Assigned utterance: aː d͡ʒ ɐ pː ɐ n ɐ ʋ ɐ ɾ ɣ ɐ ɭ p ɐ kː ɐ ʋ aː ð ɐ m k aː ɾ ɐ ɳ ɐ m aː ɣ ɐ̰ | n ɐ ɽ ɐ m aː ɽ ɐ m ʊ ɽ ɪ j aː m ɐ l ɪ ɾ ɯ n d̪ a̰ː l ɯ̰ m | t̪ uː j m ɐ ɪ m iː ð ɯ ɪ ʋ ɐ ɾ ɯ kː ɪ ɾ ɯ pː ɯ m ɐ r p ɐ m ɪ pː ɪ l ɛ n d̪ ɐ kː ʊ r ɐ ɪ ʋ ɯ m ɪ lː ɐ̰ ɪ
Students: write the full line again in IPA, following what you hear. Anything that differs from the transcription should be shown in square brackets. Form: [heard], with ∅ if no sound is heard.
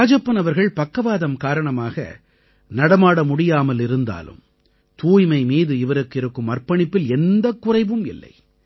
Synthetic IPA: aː d͡ʒ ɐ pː ɐ n ɐ ʋ ɐ ɾ ɣ ɐ ɭ p ɐ kː ɐ ʋ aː ð ɐ m k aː ɾ ɐ ɳ ɐ m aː ɣ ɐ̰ | n ɐ ɽ ɐ m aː ɽ ɐ m ʊ ɽ ɪ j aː m ɐ l ɪ ɾ ɯ n d̪ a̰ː l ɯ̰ m | t̪ uː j m ɐ ɪ m iː ð ɯ ɪ ʋ ɐ ɾ ɯ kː ɪ ɾ ɯ [kː] ɯ m ɐ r p ɐ [ɳ] ɪ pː ɪ l ɛ n d̪ ɐ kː ʊ r ɐ ɪ ʋ ɯ m ɪ lː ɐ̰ ɪ